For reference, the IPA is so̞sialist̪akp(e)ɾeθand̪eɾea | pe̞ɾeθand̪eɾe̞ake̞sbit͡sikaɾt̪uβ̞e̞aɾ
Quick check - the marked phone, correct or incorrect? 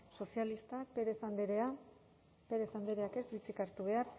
correct